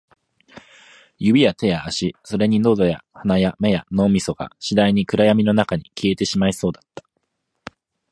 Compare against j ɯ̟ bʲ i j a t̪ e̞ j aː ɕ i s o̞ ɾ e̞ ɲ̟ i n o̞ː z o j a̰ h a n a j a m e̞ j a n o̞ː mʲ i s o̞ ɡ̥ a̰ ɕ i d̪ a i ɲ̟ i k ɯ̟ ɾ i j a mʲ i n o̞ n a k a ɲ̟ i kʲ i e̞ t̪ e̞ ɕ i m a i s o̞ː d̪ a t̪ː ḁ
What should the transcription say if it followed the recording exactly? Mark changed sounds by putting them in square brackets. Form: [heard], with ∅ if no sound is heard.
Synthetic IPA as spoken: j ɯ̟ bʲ i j a t̪ e̞ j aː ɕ i s o̞ ɾ e̞ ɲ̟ i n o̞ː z o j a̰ h a n a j a m e̞ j a n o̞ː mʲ i s o̞ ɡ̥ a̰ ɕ i d̪ a i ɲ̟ i k ɯ̟ ɾ [a] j a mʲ i n o̞ n a k a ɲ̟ i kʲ i e̞ t̪ e̞ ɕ i m a i s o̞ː d̪ a t̪ː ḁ